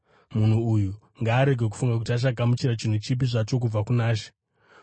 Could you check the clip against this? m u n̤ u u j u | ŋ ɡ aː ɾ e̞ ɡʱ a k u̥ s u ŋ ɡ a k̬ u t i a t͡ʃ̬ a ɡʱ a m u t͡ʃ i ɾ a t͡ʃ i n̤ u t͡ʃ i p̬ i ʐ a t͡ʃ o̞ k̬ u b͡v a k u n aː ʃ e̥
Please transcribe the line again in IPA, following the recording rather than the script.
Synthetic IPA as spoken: m u n̤ u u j u | ŋ ɡ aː ɾ e̞ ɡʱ e k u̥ f u ŋ ɡ a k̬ u t i a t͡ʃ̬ a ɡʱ a m u t͡ʃ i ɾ a t͡ʃ i n̤ u t͡ʃ i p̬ i ʐ a t͡ʃ o̞ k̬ u b͡v a k u n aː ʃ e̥